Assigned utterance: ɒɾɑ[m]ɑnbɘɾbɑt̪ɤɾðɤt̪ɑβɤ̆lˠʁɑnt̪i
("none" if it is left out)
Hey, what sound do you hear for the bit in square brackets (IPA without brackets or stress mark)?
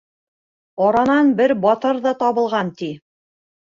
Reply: n